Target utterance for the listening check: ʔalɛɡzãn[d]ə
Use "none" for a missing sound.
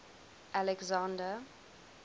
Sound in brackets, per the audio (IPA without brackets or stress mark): d